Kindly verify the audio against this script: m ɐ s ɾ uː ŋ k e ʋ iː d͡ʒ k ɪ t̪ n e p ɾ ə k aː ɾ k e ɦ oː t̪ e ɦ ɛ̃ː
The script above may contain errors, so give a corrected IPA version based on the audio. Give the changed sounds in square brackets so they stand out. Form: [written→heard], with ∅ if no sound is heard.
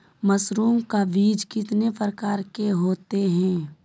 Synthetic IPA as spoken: m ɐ s ɾ uː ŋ k [e→a] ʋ iː d͡ʒ k ɪ t̪ n e p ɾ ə k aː ɾ k e ɦ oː t̪ e ɦ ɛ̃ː